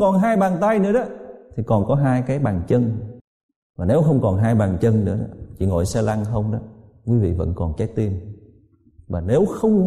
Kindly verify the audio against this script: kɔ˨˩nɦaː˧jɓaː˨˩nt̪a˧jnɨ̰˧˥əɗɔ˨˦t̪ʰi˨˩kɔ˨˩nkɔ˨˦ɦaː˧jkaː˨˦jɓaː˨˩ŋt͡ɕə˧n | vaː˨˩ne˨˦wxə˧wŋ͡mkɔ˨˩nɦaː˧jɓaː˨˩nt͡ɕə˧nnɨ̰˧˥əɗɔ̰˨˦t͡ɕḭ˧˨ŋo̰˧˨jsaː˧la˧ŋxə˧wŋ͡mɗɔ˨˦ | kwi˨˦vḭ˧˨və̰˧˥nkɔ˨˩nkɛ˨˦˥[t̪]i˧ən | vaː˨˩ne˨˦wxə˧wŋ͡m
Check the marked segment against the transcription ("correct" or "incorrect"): correct